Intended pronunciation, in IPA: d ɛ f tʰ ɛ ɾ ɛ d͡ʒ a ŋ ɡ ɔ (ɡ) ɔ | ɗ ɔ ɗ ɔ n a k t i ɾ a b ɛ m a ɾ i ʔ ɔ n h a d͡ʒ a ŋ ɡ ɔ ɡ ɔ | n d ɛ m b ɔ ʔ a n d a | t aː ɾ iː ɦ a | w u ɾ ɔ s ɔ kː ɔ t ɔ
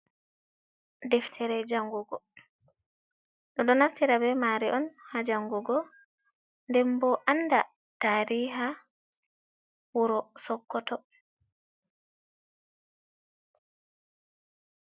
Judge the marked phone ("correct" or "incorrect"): correct